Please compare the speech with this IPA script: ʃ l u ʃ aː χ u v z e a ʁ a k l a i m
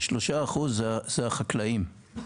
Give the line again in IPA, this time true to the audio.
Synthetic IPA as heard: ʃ l o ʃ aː χ u z z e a χ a k l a i m